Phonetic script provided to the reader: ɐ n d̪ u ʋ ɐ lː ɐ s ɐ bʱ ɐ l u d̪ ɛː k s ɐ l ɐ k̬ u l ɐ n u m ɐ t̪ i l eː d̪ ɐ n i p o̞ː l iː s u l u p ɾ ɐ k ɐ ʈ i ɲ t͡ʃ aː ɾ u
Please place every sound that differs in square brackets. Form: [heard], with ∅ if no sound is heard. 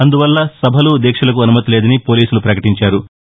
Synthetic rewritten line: ɐ n d̪ u ʋ ɐ lː ɐ s ɐ bʱ ɐ l u d̪ ɛː k [ʂ] ɐ l ɐ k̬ u [∅] ɐ n u m ɐ t̪ i l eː d̪ ɐ n i p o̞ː l iː s u l u p ɾ ɐ k ɐ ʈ i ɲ t͡ʃ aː ɾ u

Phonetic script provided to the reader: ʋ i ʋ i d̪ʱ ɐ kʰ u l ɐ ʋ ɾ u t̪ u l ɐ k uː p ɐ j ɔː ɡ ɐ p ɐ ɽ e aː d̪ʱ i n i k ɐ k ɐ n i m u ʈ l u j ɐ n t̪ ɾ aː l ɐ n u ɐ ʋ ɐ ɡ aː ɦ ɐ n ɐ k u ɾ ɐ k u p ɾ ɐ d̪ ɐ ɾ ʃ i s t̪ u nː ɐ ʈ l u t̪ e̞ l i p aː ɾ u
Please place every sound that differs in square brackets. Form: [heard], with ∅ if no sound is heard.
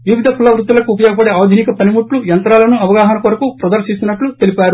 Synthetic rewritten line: ʋ i ʋ i d̪ʱ ɐ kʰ u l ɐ ʋ ɾ u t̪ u l ɐ k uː p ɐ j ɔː ɡ ɐ p ɐ ɽ e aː d̪ʱ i n i k ɐ [p] ɐ n i m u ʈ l u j ɐ n t̪ ɾ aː l ɐ n u ɐ ʋ ɐ ɡ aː ɦ ɐ n ɐ k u ɾ ɐ k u p ɾ ɐ d̪ ɐ ɾ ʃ i s t̪ u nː ɐ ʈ l u t̪ e̞ l i p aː ɾ u

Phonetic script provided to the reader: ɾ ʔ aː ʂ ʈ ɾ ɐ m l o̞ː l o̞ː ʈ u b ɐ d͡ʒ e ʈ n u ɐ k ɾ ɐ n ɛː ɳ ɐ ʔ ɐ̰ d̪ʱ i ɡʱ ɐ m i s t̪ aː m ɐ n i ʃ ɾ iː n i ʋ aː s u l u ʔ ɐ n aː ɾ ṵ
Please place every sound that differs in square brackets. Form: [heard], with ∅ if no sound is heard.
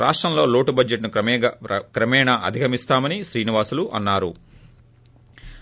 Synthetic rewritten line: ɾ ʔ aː ʂ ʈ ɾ ɐ m l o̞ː l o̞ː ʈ u b ɐ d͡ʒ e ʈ n u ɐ k ɾ ɐ [m] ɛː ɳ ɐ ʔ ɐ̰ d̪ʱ i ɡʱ ɐ m i s t̪ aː m ɐ n i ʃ ɾ iː n i ʋ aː s u l u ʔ ɐ [nː] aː ɾ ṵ

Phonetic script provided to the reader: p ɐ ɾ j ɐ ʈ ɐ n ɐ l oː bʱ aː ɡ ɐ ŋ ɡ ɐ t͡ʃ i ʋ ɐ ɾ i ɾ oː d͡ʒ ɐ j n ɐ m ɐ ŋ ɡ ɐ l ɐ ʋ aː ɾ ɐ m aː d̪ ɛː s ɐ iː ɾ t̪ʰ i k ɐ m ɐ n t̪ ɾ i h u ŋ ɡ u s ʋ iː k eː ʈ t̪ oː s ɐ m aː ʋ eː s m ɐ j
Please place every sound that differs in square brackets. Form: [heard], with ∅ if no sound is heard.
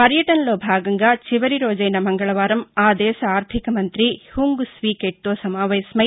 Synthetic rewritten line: p ɐ ɾ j ɐ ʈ ɐ n ɐ l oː bʱ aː ɡ ɐ ŋ ɡ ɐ t͡ʃ i ʋ ɐ ɾ i ɾ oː d͡ʒ ɐ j n ɐ m ɐ ŋ ɡ ɐ [ɭ] ɐ ʋ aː ɾ ɐ m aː d̪ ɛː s ɐ [aː] ɾ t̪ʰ i k ɐ m ɐ n t̪ ɾ i h u ŋ ɡ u s ʋ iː k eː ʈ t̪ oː s ɐ m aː ʋ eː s m ɐ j

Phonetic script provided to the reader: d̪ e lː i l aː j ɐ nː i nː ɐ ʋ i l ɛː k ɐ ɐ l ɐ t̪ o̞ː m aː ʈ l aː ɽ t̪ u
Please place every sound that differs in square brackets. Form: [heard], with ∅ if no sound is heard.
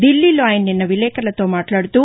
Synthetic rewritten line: d̪ [i] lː i l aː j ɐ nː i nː ɐ ʋ i l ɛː k ɐ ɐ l ɐ t̪ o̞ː m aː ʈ l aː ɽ t̪ u

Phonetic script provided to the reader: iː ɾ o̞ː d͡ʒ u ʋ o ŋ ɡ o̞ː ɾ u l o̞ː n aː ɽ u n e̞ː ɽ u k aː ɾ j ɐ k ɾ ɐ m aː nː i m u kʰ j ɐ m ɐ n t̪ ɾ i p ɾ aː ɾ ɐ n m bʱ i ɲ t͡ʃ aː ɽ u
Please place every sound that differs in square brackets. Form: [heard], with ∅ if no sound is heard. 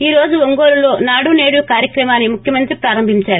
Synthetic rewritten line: iː ɾ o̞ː d͡ʒ u ʋ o ŋ ɡ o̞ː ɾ u l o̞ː n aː ɽ u n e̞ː ɽ u k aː ɾ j ɐ k ɾ ɐ m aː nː i m u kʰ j ɐ m ɐ n t̪ ɾ i p ɾ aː ɾ ɐ [∅] m bʱ i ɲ t͡ʃ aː [ɾ] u

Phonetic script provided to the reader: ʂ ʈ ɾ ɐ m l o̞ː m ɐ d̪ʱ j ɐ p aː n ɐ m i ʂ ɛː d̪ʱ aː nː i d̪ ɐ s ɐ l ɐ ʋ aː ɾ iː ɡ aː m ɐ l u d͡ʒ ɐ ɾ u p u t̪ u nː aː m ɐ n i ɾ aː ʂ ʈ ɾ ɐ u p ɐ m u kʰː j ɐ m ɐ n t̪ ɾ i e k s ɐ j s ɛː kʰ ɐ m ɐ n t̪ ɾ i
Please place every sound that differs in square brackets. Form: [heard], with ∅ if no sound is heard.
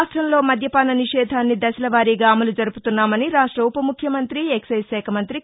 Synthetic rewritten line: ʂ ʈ ɾ ɐ m l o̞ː m ɐ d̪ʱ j ɐ p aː n ɐ [n] i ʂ ɛː d̪ʱ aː nː i d̪ ɐ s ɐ l ɐ ʋ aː ɾ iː ɡ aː m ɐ l u d͡ʒ ɐ ɾ u p u t̪ u nː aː m ɐ n i ɾ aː ʂ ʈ ɾ ɐ u p ɐ m u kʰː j ɐ m ɐ n t̪ ɾ i e k s ɐ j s ɛː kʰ ɐ m ɐ n t̪ ɾ i

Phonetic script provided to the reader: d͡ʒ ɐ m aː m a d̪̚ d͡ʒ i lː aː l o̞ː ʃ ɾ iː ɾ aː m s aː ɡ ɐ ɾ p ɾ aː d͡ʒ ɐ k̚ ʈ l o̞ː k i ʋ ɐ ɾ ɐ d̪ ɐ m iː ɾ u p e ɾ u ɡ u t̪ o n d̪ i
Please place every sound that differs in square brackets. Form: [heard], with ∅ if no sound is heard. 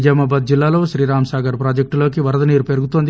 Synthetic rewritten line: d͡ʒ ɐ m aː [b] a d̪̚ d͡ʒ i lː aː l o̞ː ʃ ɾ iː ɾ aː m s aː ɡ ɐ ɾ p ɾ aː d͡ʒ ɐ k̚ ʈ l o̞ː k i ʋ ɐ ɾ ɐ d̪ ɐ [n] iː ɾ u p e ɾ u ɡ u t̪ o n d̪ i

